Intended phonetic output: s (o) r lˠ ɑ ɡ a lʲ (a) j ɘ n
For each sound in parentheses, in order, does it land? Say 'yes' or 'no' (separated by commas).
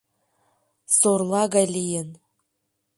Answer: yes, no